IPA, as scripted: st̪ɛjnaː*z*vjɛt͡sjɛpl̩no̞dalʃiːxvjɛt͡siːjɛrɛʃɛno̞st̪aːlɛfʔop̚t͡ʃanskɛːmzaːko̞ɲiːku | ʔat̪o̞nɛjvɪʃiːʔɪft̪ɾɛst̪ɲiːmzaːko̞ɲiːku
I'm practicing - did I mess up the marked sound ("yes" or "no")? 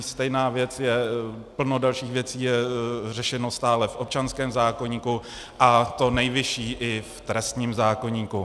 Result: yes